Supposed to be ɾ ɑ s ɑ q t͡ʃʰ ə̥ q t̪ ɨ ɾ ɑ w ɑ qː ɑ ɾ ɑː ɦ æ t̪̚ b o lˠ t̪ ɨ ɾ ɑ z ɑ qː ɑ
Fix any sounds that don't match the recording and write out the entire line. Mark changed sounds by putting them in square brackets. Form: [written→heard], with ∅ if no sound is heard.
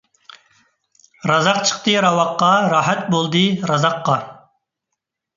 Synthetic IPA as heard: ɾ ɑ [s→z] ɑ q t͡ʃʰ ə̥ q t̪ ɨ ɾ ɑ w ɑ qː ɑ ɾ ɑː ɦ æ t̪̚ b o lˠ [t̪→d̪] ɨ ɾ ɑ z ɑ qː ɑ